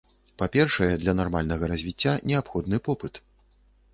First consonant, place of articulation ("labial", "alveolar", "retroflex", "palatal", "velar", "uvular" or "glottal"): labial